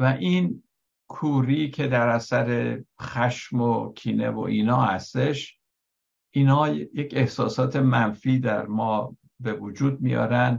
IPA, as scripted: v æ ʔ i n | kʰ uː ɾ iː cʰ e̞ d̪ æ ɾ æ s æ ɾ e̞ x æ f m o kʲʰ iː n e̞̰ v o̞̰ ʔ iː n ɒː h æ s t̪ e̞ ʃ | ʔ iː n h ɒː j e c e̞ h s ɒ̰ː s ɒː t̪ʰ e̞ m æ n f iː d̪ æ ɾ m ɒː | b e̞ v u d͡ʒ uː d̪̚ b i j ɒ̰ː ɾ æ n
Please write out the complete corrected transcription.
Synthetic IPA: v æ ʔ i n | kʰ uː ɾ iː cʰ e̞ d̪ æ ɾ æ s æ ɾ e̞ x æ ʃ m o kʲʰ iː n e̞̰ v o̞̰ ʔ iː n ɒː h æ s t̪ e̞ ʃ | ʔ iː n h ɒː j e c e̞ h s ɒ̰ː s ɒː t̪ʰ e̞ m æ n f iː d̪ æ ɾ m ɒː | b e̞ v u d͡ʒ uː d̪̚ m i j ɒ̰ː ɾ æ n